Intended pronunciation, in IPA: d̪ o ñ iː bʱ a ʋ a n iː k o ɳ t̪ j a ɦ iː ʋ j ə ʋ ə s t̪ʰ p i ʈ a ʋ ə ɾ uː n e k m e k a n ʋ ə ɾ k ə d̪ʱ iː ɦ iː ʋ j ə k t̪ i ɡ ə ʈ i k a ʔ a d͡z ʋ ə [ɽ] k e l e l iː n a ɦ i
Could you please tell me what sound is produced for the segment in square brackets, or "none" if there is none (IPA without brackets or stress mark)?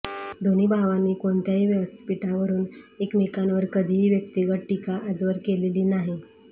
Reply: ɾ